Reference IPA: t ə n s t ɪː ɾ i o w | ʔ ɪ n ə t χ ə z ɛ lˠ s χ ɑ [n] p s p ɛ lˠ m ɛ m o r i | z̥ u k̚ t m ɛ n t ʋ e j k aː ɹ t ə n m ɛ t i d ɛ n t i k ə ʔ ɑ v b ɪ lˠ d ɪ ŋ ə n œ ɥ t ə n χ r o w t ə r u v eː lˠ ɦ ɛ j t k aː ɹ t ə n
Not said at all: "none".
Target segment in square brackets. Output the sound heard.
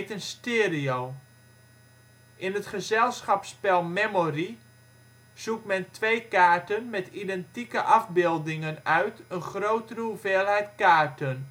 none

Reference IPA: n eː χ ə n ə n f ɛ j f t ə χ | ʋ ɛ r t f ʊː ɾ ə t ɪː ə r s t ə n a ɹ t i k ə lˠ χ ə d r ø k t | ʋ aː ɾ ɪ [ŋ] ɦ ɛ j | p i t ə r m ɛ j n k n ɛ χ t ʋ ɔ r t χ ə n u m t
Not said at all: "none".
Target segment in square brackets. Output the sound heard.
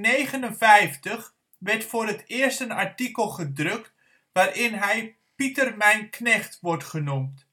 n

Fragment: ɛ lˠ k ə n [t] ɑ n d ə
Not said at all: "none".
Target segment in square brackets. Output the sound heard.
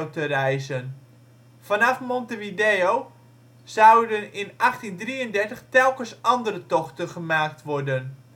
s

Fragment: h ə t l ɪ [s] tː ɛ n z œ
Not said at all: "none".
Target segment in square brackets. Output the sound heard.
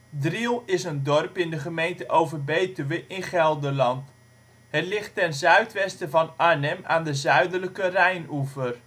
χ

